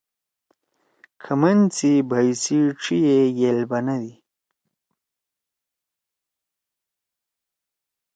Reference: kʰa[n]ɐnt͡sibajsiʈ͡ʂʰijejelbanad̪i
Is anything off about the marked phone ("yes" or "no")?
yes